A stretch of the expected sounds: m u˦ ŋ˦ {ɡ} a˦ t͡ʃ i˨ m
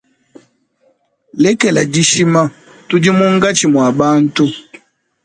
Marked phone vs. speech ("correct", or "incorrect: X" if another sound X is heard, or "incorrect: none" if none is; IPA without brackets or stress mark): correct